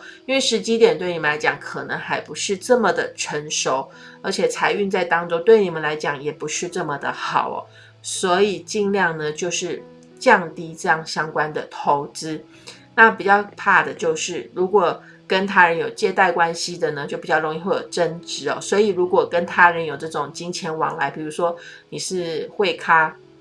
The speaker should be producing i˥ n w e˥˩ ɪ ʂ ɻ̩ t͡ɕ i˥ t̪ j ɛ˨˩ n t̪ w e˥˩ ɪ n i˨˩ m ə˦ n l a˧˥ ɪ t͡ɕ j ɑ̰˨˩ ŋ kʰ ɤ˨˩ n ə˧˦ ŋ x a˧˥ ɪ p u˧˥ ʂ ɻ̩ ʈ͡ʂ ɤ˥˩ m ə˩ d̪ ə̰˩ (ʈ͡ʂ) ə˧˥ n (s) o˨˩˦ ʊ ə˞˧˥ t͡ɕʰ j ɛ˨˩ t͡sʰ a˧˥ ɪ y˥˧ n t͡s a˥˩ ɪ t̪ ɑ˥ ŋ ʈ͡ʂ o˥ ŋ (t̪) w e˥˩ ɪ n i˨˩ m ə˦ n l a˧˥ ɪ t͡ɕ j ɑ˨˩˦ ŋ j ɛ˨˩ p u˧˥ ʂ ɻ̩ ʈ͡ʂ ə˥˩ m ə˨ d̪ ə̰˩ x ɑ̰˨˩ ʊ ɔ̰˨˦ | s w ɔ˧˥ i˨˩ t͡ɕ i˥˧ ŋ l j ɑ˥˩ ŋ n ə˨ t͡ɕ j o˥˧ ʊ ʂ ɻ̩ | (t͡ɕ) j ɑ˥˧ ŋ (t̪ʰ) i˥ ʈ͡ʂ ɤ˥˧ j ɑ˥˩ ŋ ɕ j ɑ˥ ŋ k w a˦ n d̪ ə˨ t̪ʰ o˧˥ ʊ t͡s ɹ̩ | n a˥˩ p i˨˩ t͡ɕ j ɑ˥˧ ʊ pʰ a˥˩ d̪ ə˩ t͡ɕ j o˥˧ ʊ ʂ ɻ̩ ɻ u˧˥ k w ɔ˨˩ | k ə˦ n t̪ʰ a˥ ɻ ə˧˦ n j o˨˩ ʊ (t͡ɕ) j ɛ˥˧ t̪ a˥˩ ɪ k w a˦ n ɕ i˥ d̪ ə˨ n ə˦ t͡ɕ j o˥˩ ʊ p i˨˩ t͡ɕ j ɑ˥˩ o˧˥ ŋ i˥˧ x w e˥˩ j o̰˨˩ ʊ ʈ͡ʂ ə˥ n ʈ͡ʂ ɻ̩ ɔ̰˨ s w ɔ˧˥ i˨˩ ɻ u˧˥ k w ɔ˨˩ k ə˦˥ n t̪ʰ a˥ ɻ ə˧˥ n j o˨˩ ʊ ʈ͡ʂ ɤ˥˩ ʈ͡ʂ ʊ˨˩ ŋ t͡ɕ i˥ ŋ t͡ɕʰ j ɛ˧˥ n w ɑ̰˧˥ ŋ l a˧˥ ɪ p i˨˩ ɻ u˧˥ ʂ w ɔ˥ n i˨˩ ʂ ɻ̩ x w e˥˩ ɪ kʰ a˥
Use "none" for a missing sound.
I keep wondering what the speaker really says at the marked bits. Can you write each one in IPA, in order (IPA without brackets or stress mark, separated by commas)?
ʈ͡ʂʰ, ʂ, t̪, t͡ɕ, t̪, t͡ɕ